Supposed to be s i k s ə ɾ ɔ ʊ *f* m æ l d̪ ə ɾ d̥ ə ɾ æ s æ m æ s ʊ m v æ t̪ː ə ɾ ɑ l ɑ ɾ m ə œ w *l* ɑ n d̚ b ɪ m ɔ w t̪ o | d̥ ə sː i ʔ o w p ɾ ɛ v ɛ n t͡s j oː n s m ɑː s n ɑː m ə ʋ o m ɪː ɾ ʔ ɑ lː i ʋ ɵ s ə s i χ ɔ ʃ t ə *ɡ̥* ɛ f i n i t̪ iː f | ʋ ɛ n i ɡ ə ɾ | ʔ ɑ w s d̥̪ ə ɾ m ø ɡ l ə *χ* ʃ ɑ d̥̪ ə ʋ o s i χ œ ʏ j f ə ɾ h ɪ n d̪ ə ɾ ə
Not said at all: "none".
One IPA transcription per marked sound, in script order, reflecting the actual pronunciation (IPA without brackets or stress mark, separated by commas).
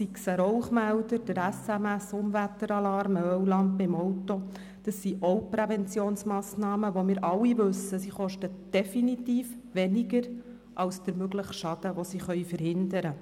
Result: χ, l, d̥, χ